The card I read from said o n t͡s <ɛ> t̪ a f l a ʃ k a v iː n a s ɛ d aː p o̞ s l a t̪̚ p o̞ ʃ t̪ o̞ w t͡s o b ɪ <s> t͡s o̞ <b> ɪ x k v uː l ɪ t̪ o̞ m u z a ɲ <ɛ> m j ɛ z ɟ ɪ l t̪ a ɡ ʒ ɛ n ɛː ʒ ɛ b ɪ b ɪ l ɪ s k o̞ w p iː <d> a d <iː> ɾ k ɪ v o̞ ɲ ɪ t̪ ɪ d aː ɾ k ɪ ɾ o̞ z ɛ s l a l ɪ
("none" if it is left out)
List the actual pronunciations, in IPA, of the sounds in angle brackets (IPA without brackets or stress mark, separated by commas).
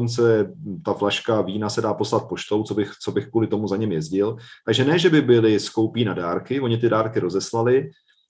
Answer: ɛ, x, b, ɛ, n, aː